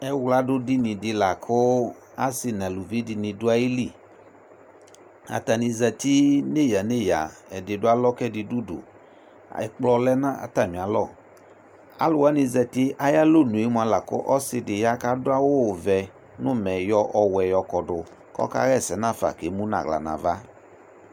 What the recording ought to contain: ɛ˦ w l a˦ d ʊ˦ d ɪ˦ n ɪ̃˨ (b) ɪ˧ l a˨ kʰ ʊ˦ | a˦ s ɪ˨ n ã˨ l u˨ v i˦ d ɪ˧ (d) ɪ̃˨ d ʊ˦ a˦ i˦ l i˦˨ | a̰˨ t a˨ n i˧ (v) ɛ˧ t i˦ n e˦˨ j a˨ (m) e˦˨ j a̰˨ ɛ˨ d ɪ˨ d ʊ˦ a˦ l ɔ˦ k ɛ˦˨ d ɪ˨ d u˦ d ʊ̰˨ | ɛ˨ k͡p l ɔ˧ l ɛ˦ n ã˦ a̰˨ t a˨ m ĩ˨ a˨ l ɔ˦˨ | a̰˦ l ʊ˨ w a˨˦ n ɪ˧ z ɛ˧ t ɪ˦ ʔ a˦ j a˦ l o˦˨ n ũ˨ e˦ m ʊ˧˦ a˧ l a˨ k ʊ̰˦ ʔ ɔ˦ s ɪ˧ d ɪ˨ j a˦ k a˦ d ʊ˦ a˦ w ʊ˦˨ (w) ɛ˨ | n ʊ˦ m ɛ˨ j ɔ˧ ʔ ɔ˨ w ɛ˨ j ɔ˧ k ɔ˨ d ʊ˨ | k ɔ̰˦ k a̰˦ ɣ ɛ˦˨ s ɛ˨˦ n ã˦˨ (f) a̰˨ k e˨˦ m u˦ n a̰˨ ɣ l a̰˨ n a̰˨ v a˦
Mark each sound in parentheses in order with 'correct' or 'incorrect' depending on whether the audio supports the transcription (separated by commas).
incorrect, incorrect, incorrect, incorrect, incorrect, correct